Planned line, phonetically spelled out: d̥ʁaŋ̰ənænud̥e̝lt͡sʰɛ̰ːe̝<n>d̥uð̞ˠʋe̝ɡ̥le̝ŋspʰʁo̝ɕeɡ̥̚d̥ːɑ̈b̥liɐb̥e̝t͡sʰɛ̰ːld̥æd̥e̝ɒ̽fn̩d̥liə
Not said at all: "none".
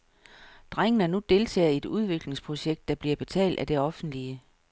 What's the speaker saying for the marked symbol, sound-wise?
none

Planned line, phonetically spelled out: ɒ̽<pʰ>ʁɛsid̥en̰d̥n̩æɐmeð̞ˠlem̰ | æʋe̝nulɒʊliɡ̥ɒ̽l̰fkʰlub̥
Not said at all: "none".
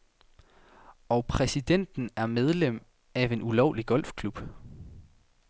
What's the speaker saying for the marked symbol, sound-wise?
pʰ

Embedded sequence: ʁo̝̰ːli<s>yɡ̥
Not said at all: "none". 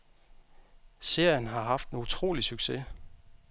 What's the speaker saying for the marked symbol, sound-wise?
s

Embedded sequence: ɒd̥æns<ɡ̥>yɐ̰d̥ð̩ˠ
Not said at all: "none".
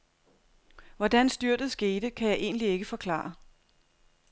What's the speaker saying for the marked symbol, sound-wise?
d̥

